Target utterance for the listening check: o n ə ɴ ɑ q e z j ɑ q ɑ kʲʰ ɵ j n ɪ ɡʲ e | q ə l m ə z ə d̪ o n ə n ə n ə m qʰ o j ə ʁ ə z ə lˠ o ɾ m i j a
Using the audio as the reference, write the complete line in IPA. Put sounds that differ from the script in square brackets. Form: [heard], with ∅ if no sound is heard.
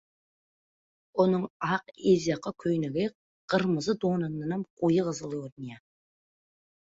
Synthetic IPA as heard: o n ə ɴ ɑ q e z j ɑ q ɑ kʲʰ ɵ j n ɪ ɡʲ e | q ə [ɾ] m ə z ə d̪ o n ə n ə n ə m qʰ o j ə ʁ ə z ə lˠ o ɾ [n] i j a